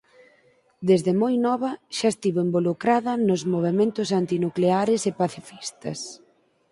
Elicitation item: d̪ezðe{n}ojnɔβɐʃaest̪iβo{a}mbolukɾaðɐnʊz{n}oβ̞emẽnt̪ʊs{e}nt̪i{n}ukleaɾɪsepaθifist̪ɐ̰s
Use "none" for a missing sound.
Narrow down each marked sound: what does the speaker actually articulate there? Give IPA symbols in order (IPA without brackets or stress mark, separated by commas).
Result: m, e, m, a, n